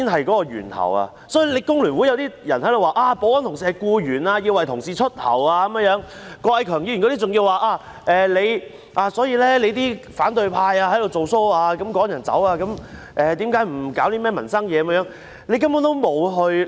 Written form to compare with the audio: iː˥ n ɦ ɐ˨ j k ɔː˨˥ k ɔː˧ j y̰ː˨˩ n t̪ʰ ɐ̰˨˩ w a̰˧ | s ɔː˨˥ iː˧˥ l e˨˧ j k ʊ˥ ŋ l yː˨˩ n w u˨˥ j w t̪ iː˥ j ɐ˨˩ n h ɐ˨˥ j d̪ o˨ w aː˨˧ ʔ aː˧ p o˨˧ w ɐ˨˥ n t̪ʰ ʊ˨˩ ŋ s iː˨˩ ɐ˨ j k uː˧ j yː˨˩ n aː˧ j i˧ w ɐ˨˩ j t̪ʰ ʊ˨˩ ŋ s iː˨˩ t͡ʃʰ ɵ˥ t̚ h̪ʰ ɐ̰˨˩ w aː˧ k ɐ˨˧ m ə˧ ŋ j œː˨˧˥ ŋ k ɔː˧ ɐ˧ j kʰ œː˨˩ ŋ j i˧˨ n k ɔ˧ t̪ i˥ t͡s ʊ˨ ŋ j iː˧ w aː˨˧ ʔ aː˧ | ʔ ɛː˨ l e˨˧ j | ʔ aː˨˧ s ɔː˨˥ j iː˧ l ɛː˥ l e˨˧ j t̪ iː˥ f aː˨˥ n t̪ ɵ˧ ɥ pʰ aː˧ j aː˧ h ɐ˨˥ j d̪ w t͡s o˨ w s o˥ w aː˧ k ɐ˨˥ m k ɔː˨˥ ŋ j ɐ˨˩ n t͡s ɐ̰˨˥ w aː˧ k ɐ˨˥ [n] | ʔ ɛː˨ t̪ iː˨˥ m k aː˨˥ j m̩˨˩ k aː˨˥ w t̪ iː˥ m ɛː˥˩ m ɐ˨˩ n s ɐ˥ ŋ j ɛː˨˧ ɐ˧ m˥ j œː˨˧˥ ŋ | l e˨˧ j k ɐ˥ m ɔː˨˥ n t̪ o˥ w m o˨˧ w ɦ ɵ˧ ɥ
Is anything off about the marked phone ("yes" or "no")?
yes